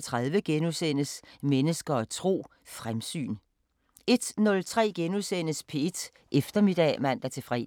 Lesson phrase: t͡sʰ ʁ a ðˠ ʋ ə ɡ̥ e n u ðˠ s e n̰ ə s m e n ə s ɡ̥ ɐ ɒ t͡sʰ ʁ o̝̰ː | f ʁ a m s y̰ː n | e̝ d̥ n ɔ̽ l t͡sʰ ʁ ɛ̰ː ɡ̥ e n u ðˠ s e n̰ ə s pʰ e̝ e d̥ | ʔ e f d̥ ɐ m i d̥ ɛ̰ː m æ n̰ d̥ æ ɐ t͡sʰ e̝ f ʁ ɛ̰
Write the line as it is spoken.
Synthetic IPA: t͡sʰ ʁ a ðˠ ʋ ə ɡ̥ e n u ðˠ s e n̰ ə s m e n ə s ɡ̥ ɐ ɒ t͡sʰ ʁ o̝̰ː | f ʁ a m s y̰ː n | e̝ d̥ n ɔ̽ l t͡sʰ ʁ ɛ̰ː ɡ̥ e n u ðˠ s e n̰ ə s pʰ e̝ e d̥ | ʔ e f d̥ ɐ m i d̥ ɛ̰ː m æ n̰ d̥ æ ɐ t͡sʰ e̝ f ʁ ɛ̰